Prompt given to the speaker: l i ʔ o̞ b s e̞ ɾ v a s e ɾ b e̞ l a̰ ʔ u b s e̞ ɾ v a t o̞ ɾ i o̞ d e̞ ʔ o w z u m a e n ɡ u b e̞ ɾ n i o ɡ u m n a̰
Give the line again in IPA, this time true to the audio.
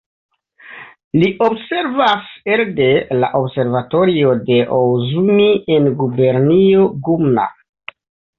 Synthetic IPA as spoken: l i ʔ o̞ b s e̞ ɾ v a s e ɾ d e̞ l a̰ ʔ o b s e̞ ɾ v a t o̞ ɾ i o̞ d e̞ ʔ o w z u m i e n ɡ u b e̞ ɾ n i o ɡ u m n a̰